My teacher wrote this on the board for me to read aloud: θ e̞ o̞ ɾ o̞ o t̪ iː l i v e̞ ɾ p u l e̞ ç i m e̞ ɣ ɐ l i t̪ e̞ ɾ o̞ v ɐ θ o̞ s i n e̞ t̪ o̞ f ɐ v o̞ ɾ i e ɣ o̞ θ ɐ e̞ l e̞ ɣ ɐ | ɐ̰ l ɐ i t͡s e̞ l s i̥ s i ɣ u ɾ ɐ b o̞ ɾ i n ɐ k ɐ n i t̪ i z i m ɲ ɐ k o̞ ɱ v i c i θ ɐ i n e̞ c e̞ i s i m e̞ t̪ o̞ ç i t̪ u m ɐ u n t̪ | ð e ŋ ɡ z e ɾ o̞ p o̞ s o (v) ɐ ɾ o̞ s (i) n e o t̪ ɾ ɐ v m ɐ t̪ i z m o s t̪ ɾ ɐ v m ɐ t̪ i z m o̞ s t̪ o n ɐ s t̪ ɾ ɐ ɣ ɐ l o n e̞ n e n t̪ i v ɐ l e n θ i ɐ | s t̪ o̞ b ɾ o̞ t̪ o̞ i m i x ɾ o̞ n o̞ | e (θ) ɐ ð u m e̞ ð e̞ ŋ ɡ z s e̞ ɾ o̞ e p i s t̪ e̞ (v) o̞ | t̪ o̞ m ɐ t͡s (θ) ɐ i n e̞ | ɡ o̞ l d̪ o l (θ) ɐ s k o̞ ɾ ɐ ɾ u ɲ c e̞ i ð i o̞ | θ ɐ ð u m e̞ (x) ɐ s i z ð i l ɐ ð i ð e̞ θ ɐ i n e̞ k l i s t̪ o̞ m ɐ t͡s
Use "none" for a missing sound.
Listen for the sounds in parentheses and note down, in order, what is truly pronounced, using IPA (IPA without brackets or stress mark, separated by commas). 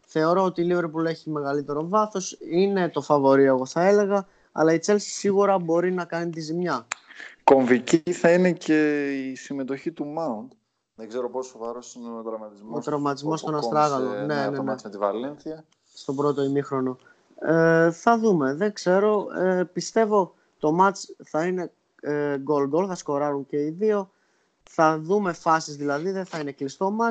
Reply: v, i, θ, v, θ, θ, f